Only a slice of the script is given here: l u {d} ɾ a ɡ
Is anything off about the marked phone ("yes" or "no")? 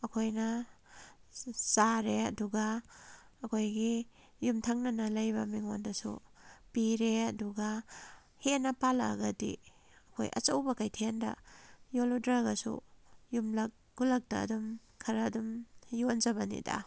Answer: no